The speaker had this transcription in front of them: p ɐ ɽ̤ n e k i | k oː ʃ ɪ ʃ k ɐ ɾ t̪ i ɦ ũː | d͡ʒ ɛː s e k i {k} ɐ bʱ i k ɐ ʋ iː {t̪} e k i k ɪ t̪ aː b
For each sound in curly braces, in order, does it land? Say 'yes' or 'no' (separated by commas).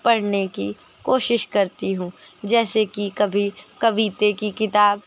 yes, yes